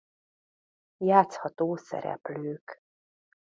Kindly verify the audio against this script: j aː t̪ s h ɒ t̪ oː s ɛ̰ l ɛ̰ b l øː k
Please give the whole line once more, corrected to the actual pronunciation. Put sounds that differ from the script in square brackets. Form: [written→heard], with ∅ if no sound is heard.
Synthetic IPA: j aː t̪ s h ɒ t̪ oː s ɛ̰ [l→ɾ] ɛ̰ [b→p] l øː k